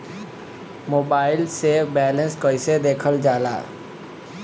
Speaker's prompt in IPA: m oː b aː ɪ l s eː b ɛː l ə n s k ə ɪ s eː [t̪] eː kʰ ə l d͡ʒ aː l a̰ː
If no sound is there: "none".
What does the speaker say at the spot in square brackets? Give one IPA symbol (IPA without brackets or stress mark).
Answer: d̪